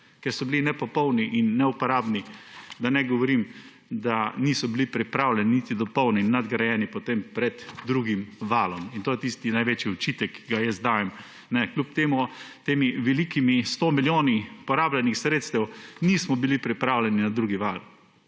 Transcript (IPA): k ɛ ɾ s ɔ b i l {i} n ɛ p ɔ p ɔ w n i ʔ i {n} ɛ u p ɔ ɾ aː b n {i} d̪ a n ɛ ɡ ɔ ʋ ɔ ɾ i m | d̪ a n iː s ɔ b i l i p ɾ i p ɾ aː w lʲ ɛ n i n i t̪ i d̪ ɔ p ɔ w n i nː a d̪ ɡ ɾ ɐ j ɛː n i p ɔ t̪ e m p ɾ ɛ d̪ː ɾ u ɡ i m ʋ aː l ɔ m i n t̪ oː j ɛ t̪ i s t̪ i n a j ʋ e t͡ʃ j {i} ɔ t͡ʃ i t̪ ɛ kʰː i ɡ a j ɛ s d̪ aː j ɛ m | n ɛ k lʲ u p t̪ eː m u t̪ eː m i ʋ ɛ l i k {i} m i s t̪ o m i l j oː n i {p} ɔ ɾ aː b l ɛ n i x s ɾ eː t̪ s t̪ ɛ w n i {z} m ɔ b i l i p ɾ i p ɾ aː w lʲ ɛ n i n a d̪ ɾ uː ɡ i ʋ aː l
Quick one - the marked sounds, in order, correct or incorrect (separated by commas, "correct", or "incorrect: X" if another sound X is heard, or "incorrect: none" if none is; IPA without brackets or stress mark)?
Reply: correct, incorrect: nː, correct, correct, correct, correct, incorrect: s